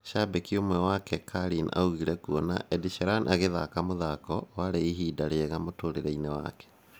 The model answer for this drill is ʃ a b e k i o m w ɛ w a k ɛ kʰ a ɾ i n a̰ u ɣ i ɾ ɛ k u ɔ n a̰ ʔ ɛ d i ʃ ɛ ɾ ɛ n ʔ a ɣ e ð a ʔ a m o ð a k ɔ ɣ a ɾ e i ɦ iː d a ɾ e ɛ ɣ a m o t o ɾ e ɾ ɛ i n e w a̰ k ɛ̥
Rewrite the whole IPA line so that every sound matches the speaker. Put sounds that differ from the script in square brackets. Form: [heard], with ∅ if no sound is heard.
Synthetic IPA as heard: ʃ a b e k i o m w ɛ w a k ɛ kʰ a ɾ i n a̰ u ɣ i ɾ ɛ k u ɔ n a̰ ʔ ɛ d i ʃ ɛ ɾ [a] n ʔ a ɣ e ð a [k] a m o ð a k ɔ [w] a ɾ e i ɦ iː d a ɾ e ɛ ɣ a m o t o ɾ e ɾ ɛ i n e w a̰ k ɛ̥